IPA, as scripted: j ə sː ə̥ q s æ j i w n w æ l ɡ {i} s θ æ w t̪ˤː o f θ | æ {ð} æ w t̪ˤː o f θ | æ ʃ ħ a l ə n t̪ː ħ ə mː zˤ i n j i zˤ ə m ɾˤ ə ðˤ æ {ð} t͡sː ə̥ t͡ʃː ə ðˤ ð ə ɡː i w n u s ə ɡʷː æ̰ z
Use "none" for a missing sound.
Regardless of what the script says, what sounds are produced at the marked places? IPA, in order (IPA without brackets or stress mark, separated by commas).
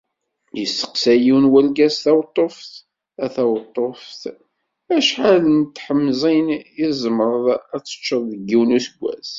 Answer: æ, θ, none